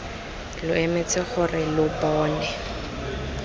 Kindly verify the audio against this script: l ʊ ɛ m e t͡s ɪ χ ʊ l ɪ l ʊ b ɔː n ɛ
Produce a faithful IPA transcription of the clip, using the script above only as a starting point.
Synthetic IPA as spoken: l ʊ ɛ m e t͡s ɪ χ ʊ r ɪ l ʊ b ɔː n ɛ